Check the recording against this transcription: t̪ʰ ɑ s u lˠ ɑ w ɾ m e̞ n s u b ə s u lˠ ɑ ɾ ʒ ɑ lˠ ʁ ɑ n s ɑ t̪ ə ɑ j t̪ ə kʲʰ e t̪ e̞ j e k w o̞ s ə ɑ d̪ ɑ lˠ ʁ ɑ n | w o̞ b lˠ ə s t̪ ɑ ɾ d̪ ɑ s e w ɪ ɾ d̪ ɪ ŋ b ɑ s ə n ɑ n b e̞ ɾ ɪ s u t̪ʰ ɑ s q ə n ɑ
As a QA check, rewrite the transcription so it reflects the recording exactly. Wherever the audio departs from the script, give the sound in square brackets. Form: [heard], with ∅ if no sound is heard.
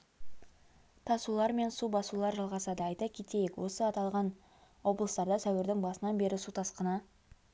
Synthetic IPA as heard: t̪ʰ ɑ s u lˠ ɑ [∅] ɾ m e̞ n s u b [ɑ] s u lˠ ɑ ɾ ʒ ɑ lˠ ʁ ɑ [∅] s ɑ [d̪] ə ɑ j t̪ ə kʲʰ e t̪ e̞ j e k w o̞ s ə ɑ [t̪] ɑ lˠ ʁ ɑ n | w o̞ b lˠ ə s t̪ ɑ ɾ d̪ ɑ s [æ] w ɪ ɾ d̪ ɪ ŋ b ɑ s ə n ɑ n b e̞ ɾ ɪ s u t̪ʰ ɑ s q ə n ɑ